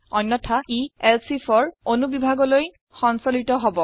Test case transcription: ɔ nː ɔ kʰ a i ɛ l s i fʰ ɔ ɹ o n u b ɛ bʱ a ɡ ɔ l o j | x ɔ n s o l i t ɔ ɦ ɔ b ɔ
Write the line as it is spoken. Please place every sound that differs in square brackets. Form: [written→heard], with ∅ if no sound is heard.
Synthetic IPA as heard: ɔ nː ɔ [kʰ→tʰ] a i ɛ l s i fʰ ɔ ɹ o n u b [ɛ→i] bʱ a ɡ ɔ l o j | x ɔ n s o l i t ɔ ɦ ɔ b ɔ